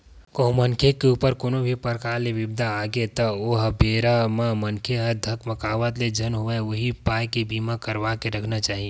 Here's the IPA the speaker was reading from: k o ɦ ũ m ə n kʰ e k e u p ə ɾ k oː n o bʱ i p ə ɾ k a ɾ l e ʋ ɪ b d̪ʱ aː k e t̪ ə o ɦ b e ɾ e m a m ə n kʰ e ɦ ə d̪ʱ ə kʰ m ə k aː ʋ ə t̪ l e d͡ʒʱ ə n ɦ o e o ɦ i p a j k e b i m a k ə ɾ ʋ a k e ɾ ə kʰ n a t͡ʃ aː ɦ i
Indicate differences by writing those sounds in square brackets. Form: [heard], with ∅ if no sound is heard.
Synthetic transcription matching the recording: k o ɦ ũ m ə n kʰ e k e u p ə ɾ k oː n o bʱ i p ə ɾ k a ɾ l e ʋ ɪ b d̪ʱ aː [ɡ] e t̪ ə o ɦ b e ɾ [a] m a m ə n kʰ e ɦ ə d̪ʱ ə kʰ m ə k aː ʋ ə t̪ l e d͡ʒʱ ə n ɦ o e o ɦ i p a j k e b i m a k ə ɾ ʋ a k e ɾ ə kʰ n a t͡ʃ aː ɦ i